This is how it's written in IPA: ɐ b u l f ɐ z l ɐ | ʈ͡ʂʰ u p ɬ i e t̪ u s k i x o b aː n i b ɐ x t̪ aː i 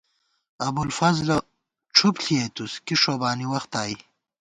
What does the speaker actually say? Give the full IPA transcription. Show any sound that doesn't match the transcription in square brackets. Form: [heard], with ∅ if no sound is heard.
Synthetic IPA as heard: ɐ b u l f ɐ z l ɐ | ʈ͡ʂʰ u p ɬ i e t̪ u s k i [ʂ] o b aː n i [w] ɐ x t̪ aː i